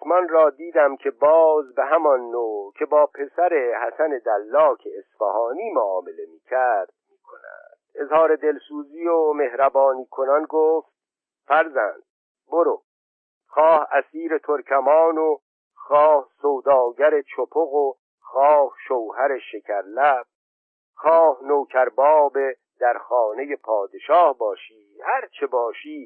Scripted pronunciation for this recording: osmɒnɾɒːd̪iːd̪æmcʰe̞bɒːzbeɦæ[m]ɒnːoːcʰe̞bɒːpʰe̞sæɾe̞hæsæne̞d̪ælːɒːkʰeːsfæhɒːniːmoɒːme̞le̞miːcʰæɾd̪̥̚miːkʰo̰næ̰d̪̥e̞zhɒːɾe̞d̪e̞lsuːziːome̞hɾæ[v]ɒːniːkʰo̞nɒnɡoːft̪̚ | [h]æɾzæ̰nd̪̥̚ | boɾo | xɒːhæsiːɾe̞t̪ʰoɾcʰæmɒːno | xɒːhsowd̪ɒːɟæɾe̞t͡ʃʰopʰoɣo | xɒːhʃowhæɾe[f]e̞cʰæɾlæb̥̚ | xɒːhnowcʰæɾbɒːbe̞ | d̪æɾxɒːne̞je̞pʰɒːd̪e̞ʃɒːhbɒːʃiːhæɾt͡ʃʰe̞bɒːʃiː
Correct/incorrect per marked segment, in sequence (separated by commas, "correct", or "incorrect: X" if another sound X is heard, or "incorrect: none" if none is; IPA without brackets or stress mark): correct, incorrect: b, incorrect: f, incorrect: ʃ